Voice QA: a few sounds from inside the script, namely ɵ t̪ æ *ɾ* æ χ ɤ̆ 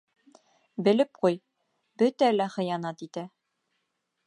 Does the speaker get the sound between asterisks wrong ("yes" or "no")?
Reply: yes